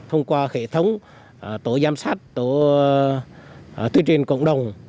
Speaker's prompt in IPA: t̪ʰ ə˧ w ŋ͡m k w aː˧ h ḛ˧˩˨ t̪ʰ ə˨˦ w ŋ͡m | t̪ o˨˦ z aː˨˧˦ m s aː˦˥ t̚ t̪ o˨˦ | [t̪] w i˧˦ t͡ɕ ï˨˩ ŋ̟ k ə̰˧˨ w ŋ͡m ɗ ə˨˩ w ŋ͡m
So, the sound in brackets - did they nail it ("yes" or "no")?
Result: yes